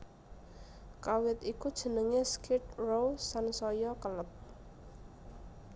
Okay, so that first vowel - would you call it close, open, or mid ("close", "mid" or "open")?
open